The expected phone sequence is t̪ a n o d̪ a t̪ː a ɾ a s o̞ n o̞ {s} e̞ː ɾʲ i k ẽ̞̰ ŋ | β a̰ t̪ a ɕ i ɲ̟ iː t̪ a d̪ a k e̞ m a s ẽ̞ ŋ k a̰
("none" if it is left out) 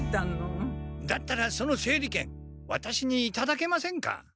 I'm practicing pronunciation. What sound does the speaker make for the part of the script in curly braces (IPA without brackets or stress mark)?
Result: s